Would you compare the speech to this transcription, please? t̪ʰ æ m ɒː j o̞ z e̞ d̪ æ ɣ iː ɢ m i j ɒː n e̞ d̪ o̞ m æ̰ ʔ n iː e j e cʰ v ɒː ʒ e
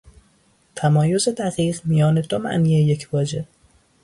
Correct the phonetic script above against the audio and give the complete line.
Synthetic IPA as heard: t̪ʰ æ m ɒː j o̞ z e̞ d̪ æ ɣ iː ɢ m i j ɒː n e̞ d̪ o̞ m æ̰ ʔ n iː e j e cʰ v ɒː d͡ʒ e